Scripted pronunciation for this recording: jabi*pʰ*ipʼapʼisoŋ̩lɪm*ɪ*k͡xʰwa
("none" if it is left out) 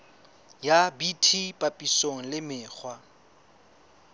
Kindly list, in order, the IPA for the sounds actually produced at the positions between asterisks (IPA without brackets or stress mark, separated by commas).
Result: tʰ, ɪː